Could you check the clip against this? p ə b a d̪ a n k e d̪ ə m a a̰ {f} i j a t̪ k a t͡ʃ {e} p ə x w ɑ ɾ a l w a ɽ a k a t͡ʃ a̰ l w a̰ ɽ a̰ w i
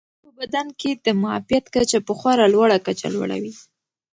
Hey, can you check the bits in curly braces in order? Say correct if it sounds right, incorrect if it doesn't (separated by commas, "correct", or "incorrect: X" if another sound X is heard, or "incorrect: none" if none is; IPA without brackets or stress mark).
correct, incorrect: a